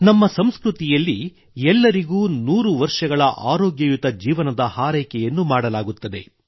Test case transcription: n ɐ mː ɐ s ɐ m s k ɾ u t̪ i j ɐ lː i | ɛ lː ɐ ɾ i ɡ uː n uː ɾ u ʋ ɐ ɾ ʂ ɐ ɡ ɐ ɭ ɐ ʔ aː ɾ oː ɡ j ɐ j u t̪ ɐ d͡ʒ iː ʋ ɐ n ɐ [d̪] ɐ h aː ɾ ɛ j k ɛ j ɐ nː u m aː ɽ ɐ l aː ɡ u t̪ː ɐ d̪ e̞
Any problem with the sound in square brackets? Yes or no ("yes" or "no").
no